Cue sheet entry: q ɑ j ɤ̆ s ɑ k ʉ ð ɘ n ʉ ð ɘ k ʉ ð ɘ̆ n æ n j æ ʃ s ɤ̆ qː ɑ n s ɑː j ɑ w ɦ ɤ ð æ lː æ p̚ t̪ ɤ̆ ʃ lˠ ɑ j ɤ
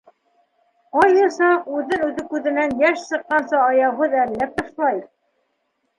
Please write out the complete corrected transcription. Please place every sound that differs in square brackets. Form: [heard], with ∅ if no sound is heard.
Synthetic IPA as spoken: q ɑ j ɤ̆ s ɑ [q] ʉ ð ɘ n ʉ ð ɘ k ʉ ð ɘ̆ n æ n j æ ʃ s ɤ̆ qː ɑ n s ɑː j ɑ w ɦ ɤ ð æ lː æ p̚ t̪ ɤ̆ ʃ lˠ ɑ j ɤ